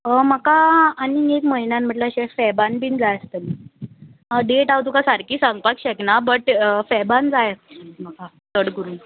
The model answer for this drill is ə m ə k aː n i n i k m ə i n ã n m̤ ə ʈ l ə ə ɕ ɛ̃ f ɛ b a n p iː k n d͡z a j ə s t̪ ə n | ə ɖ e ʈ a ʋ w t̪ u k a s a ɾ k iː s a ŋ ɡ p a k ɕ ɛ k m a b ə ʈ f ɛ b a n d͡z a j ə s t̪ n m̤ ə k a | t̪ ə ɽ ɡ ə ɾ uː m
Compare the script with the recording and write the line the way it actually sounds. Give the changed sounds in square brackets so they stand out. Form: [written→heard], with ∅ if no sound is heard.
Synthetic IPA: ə m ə k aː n i n [i→e] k m ə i n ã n m̤ ə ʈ l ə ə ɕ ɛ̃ f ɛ b a n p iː [k→∅] n d͡z a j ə s t̪ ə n | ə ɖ e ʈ a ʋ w t̪ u k a s a ɾ k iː s a ŋ ɡ p a k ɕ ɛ k [m→n] a b ə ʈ f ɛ b a n d͡z a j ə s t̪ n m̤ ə k a | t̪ ə ɽ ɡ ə ɾ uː [m→n]